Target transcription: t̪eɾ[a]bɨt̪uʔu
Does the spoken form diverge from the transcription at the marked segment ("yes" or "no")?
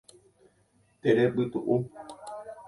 yes